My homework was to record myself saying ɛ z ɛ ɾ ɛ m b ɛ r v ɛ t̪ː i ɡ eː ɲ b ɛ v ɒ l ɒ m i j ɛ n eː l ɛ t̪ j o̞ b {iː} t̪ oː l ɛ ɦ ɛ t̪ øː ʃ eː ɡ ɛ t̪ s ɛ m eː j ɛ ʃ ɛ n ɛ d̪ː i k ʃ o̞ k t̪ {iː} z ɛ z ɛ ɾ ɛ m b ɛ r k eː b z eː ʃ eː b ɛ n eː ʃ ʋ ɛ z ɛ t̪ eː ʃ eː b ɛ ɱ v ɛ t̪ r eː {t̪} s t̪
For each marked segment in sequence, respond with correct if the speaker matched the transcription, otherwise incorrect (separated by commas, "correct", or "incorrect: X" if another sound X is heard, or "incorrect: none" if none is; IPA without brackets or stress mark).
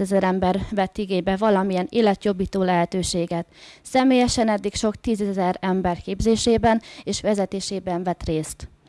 correct, correct, incorrect: none